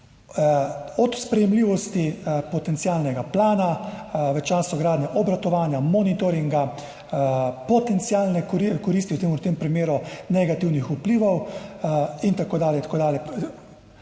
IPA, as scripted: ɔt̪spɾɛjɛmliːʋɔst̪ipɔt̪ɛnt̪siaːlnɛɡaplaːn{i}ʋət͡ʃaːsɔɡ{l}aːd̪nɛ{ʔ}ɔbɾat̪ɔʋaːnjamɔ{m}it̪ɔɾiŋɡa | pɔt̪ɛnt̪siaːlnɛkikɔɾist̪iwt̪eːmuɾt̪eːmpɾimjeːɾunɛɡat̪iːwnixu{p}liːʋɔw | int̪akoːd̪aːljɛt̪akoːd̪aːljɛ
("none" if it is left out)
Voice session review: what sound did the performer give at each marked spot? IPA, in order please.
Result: a, ɾ, ʔ, n, p

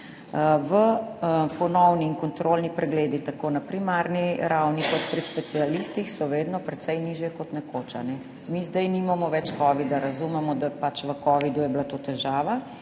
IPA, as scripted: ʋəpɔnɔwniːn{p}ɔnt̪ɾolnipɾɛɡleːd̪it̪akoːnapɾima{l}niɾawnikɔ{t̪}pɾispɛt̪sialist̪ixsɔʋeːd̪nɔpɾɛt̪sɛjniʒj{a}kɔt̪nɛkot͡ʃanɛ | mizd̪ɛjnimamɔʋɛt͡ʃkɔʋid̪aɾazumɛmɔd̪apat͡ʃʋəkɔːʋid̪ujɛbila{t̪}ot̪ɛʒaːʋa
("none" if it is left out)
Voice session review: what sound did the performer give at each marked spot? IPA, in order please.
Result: k, ɾ, t̪, ɛ, t̪

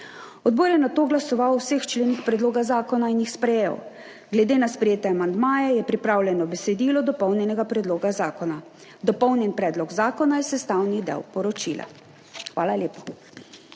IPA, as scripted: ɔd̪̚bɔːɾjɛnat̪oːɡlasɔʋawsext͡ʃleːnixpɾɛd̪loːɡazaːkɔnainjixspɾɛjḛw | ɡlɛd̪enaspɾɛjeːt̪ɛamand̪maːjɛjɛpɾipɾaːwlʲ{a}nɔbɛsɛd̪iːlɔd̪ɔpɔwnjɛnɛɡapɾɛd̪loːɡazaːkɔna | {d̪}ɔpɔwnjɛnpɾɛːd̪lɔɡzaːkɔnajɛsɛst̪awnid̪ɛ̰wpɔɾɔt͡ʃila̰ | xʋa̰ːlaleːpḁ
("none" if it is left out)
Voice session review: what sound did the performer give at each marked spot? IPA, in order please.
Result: ɛ, d̪

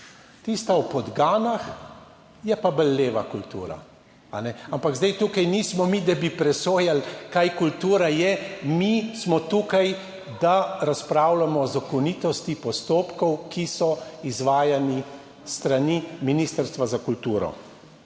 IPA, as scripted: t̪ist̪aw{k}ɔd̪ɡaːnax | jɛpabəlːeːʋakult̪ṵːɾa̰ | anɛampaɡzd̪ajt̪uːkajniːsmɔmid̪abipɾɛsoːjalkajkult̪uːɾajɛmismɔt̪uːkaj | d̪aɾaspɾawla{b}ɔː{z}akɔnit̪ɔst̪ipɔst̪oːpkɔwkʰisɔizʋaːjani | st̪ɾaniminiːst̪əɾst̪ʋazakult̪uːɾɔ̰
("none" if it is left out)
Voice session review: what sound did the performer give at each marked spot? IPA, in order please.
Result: p, m, z

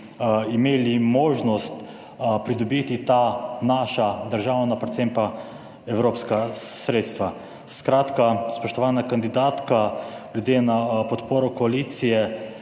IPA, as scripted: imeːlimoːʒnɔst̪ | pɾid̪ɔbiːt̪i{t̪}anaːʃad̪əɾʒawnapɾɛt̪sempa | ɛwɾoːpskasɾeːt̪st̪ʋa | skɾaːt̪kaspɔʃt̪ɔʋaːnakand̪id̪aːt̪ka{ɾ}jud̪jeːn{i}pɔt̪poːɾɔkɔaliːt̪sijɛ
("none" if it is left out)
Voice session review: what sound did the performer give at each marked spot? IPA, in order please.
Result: t̪, l, a

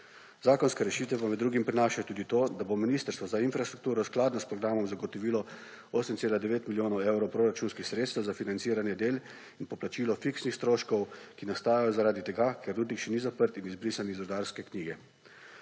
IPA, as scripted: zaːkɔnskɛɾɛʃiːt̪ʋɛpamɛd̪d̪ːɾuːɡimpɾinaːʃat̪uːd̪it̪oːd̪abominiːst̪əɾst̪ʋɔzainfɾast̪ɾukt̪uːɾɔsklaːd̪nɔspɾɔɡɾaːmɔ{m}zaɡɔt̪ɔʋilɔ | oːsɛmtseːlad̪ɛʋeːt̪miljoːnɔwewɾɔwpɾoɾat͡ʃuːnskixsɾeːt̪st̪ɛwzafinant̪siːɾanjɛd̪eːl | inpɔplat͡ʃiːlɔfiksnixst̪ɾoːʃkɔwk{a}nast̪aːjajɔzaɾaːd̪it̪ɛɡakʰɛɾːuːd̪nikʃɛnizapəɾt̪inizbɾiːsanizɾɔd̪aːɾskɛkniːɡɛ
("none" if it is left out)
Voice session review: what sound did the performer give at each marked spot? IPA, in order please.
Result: m, i

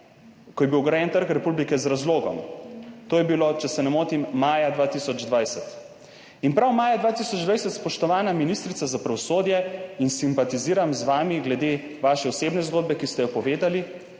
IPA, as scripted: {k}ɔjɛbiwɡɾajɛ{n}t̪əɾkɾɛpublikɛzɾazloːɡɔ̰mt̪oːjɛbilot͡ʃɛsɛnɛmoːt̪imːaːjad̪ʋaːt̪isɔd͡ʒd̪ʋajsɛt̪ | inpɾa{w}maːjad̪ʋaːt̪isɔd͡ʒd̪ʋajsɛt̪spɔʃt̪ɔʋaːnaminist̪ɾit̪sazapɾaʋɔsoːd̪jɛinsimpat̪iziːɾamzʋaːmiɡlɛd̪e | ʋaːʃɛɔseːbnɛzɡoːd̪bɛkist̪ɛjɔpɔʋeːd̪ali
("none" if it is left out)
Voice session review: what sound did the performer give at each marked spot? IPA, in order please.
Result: k, n, w

